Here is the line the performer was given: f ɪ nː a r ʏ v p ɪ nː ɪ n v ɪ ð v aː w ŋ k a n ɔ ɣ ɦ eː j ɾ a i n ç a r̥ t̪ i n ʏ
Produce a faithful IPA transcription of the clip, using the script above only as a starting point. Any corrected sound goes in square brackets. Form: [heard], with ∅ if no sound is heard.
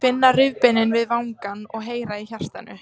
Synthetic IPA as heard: f ɪ nː a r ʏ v p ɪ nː ɪ n v ɪ ð v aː w ŋ k a n ɔ ɣ ɦ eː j ɾ a i [∅] ç a r̥ t̪ [a] n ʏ